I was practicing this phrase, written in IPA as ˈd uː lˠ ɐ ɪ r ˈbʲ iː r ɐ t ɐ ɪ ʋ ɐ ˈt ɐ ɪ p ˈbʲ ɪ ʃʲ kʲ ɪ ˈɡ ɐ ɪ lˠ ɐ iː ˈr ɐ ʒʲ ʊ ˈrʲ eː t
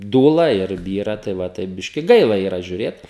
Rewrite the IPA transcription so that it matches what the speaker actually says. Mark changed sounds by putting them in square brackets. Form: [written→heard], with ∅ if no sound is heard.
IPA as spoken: ˈd uː lˠ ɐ ɪ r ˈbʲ iː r ɐ t ɐ ɪ ʋ ɐ ˈt ɐ ɪ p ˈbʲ ɪ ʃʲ kʲ ɪ ˈɡ ɐ ɪ lˠ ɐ iː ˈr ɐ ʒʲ ʊ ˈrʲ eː t